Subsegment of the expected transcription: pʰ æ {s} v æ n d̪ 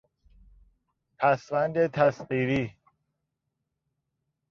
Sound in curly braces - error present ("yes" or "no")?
no